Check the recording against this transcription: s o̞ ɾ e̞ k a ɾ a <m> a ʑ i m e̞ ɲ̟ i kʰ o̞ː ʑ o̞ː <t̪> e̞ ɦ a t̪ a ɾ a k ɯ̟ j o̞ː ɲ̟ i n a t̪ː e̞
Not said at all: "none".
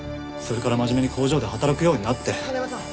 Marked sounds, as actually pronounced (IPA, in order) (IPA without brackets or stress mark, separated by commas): m, d̪